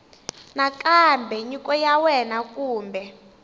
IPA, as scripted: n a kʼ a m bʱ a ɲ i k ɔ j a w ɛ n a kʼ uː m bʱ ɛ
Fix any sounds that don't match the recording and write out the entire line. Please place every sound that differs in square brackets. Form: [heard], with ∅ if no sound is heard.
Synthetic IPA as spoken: n a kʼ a m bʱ [ɛ] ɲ i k ɔ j a w ɛ n a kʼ uː m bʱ ɛ